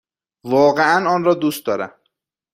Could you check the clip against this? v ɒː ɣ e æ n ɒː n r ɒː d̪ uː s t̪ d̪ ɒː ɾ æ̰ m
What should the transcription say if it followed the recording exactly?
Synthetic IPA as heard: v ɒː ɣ e æ n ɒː n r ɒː d̪ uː s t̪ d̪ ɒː ɾ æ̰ m